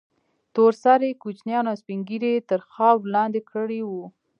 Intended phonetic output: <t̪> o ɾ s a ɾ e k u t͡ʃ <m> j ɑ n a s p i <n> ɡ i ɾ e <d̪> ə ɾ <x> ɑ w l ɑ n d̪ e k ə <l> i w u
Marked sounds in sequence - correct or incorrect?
correct, incorrect: n, incorrect: ŋ, incorrect: t̪, correct, incorrect: ɽ

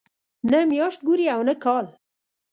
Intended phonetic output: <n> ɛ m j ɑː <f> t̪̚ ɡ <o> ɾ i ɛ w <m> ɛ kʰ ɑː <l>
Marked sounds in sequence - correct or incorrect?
correct, incorrect: ʃ, incorrect: u, incorrect: n, correct

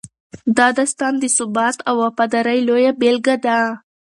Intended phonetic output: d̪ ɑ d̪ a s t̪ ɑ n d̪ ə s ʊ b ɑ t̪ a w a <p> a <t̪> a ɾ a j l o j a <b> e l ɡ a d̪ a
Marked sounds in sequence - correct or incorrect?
correct, incorrect: d̪, correct

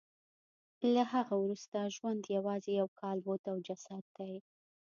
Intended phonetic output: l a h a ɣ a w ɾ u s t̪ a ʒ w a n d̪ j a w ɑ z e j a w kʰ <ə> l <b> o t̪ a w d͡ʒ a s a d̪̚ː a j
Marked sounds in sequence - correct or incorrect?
incorrect: ɑ, correct

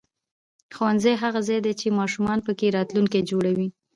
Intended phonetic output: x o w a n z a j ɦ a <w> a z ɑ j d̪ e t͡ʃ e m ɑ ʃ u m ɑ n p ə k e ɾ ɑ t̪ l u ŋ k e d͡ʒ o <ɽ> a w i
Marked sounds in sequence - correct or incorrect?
incorrect: ɣ, correct

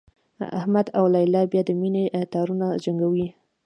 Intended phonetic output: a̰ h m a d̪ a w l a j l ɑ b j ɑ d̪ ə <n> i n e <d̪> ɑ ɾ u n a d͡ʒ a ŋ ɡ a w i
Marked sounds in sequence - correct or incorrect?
incorrect: m, incorrect: t̪

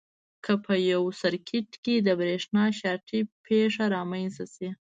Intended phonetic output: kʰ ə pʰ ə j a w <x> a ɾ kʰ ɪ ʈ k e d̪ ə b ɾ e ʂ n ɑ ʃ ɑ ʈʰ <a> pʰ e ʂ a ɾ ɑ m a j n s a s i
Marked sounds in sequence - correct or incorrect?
incorrect: s, incorrect: i

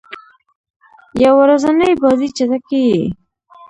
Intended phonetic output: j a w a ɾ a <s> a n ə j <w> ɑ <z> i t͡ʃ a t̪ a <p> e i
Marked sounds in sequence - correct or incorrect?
incorrect: z, incorrect: b, correct, incorrect: k

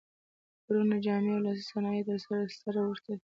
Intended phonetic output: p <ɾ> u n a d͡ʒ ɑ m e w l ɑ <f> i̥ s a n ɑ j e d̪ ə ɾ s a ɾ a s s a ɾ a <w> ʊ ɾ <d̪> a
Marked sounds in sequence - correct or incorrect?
correct, incorrect: s, correct, incorrect: t̪

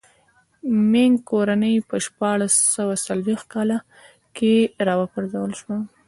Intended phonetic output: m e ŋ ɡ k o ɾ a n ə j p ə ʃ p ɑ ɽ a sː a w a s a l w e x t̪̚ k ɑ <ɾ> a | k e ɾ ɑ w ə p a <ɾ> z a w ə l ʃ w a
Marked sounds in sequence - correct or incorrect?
incorrect: l, correct

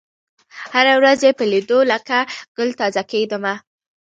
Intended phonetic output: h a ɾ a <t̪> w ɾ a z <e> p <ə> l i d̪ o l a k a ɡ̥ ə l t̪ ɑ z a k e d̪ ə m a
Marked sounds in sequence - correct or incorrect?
incorrect: none, correct, correct

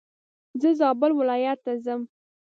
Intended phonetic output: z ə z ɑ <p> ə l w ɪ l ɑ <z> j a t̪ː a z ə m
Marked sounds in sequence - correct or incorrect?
incorrect: b, incorrect: none

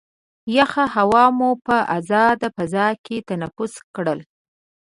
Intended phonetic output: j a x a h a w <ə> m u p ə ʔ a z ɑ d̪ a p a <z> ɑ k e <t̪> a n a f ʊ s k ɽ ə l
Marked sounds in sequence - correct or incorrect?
incorrect: ɑ, correct, correct

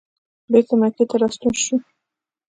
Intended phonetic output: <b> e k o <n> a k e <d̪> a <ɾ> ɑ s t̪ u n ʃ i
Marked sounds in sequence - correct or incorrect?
correct, incorrect: m, incorrect: t̪, correct

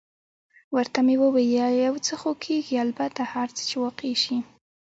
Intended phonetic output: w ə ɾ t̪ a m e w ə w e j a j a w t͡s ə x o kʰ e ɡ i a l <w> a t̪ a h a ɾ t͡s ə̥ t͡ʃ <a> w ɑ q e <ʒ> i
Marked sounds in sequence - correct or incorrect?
incorrect: b, incorrect: e, incorrect: ʃ

